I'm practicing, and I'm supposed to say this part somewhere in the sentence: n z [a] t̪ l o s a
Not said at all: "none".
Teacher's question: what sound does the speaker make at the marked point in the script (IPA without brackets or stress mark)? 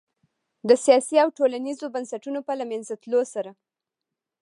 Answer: a